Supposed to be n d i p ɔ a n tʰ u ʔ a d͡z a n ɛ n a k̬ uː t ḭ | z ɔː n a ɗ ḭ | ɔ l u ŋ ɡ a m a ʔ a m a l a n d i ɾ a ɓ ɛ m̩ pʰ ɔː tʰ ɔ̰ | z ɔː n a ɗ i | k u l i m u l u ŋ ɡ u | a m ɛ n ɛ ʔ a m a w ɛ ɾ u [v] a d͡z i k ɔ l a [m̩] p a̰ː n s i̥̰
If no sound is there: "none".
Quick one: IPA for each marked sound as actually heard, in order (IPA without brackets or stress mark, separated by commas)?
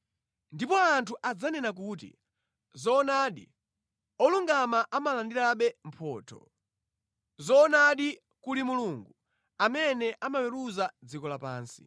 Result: z, none